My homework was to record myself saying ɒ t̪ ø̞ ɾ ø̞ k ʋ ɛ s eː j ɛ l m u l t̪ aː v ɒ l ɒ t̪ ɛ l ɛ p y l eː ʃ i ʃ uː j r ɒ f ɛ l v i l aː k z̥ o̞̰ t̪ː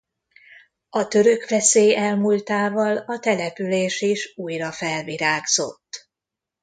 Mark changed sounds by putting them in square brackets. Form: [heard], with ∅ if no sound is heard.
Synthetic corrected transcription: ɒ t̪ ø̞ ɾ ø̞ k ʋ ɛ s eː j ɛ l m u l t̪ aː v ɒ l ɒ t̪ ɛ l ɛ p y l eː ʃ i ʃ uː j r ɒ f ɛ l v i [ɾ] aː [ɡ] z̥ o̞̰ t̪ː